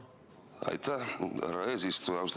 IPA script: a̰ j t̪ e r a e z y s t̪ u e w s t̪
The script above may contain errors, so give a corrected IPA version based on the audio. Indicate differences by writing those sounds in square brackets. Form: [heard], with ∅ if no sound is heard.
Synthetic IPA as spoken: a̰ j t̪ [a] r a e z [i] s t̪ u [a] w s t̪